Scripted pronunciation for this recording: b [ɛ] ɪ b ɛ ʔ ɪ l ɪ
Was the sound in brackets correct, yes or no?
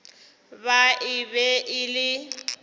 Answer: no